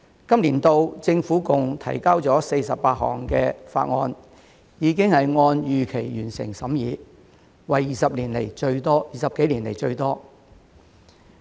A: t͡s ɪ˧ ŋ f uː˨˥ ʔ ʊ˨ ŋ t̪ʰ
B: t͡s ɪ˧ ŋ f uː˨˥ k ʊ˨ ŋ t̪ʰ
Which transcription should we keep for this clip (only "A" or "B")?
B